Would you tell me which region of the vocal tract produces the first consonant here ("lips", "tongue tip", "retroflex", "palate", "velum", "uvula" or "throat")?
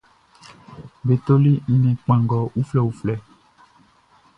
lips